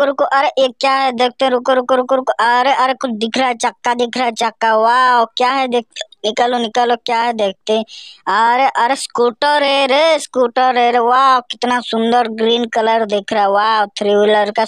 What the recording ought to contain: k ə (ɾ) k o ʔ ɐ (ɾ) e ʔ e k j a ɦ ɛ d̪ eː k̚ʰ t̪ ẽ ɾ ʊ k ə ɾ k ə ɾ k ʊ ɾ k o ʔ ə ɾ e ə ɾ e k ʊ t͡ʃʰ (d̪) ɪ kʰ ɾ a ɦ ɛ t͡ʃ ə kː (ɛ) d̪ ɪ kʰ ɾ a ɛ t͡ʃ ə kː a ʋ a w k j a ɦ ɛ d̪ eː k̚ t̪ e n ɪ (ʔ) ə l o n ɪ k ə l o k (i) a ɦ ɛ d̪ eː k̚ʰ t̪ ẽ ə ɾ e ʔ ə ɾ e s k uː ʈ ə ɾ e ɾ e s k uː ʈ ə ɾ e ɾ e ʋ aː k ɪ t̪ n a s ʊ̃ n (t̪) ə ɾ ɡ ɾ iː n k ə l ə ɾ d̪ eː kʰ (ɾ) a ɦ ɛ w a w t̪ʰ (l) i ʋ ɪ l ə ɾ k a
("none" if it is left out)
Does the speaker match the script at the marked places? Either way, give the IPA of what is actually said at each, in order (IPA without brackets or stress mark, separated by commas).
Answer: ɾ, ɾ, d̪, a, k, j, d̪, ɾ, ɾ